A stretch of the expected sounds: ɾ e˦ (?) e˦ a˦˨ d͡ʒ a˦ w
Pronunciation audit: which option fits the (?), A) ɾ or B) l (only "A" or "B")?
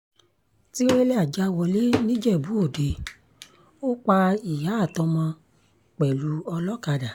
B